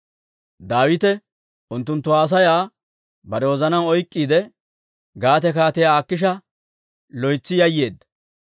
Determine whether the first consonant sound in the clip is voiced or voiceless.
voiced